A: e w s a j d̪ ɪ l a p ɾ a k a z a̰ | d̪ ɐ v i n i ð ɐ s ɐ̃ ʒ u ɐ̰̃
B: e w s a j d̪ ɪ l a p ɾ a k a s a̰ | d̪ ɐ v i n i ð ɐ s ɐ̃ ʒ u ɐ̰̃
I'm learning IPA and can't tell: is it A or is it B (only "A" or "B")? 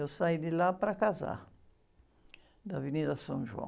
A